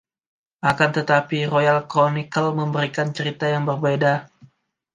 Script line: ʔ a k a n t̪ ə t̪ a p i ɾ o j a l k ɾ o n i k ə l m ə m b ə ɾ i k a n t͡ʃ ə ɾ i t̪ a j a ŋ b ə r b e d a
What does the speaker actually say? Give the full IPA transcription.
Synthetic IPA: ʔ a k a n t̪ ə t̪ a p i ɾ o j a l k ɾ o n i k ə l m ə m b ə ɾ i k a n t͡ʃ ə ɾ i t̪ a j a ŋ b ə r b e d a